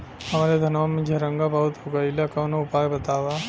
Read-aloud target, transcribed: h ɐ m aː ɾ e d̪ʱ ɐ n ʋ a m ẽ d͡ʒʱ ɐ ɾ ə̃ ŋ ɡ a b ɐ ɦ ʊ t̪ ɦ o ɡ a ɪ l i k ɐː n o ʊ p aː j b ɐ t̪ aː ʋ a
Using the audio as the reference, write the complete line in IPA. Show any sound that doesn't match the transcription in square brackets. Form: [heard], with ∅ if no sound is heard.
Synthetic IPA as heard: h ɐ m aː ɾ e d̪ʱ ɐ n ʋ a m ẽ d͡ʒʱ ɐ ɾ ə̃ ŋ ɡ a b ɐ ɦ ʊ t̪ ɦ o ɡ a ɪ l [a] k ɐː n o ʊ p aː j b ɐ t̪ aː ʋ a